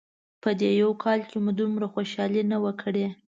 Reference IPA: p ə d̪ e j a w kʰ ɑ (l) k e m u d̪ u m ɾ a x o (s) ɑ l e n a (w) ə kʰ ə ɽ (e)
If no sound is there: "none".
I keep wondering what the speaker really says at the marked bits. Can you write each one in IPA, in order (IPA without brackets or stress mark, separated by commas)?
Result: l, ʃ, w, e